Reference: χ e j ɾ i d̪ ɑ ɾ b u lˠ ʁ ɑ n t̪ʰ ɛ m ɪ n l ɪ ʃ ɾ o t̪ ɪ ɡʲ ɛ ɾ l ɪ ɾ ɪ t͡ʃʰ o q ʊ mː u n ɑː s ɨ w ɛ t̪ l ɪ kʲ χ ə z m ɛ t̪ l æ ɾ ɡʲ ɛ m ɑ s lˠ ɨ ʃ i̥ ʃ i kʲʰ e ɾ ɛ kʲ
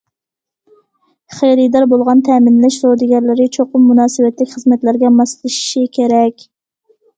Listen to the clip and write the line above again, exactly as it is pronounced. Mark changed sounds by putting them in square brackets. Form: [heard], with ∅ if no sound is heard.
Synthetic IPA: χ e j ɾ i d̪ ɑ ɾ b [o] lˠ ʁ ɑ n t̪ʰ ɛ m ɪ n l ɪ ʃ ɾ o [d̪] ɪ ɡʲ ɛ ɾ l ɪ ɾ ɪ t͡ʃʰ o q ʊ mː u n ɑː s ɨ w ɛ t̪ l ɪ kʲ χ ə z m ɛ t̪ l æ ɾ ɡʲ ɛ m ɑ s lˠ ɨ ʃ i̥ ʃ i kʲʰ e ɾ ɛ kʲ